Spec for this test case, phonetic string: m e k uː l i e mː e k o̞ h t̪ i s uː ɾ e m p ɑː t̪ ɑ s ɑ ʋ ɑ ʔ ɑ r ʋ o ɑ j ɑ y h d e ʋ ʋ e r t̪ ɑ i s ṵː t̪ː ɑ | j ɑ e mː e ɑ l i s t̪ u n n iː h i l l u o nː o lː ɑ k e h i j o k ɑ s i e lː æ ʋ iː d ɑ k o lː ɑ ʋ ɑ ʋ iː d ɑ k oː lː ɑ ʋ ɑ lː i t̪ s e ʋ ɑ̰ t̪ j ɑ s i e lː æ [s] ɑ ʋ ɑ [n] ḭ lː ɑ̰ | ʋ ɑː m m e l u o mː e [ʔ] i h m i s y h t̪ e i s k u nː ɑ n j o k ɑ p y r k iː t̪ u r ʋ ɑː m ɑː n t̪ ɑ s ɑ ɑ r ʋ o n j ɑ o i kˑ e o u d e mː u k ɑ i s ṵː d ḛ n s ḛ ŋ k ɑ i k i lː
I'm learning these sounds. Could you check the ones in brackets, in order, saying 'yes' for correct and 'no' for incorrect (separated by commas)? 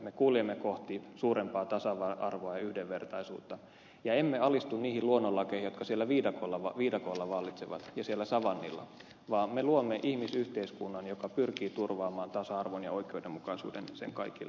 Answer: yes, no, yes